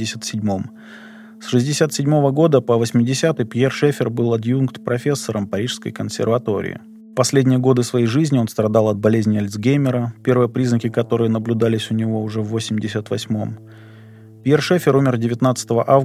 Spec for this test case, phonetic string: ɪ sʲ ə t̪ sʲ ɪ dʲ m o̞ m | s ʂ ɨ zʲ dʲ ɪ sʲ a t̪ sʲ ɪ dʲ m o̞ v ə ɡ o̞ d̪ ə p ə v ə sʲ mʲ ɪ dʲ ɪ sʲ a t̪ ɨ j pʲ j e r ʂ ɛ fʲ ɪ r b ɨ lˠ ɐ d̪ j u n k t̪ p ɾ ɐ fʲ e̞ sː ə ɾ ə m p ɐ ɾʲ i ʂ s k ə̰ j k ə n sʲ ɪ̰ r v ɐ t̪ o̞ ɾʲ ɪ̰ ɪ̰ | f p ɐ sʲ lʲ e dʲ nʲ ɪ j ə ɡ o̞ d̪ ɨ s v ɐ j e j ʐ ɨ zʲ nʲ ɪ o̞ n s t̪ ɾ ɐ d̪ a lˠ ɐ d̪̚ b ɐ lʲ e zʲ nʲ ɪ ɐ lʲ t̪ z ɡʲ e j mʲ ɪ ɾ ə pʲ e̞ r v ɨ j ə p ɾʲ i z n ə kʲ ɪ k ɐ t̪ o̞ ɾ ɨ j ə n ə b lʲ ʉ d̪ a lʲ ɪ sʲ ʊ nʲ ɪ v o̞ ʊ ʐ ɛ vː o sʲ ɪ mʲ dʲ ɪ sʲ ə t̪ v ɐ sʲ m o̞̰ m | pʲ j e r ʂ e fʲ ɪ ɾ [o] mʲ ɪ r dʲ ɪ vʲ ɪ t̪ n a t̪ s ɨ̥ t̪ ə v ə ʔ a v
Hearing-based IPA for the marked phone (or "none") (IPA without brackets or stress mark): u